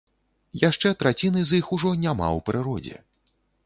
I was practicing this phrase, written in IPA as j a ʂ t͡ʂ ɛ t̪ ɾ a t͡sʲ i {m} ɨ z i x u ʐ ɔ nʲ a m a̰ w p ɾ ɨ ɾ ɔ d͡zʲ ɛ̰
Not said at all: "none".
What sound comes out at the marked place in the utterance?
n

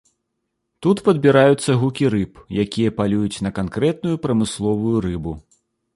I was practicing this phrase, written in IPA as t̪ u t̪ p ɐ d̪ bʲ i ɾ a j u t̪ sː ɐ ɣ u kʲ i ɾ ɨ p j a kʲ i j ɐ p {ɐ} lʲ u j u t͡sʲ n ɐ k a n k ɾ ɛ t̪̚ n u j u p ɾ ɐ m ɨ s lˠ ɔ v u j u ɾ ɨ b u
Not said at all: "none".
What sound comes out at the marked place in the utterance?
a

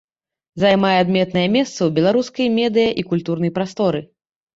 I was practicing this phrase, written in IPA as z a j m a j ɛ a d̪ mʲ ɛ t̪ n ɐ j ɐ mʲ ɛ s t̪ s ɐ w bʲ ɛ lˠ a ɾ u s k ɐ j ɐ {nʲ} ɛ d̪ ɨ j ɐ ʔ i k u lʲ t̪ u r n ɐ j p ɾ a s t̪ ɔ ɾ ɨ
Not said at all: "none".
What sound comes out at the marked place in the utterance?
mʲ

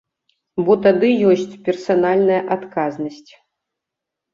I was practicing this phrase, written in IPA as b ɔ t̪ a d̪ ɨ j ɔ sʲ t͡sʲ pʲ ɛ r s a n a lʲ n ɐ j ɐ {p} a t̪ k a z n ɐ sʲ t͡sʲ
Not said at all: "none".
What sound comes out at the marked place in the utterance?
ʔ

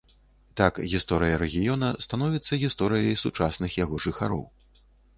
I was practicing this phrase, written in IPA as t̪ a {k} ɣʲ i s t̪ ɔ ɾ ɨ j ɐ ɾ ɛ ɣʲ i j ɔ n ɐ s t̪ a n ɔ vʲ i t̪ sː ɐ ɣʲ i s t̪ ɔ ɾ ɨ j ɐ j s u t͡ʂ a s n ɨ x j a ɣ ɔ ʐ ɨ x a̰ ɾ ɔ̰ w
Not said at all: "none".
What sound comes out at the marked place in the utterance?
k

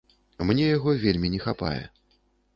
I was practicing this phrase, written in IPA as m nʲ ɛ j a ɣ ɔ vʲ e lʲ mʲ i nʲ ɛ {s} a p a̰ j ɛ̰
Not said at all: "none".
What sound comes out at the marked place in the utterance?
x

